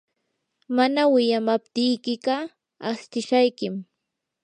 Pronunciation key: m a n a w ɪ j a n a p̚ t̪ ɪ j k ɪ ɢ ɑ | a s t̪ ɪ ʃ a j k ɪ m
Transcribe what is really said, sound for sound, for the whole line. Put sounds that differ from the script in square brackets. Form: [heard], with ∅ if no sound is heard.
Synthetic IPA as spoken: m a n a w ɪ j a [m] a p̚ t̪ ɪ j k ɪ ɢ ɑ | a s t̪ ɪ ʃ a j k ɪ m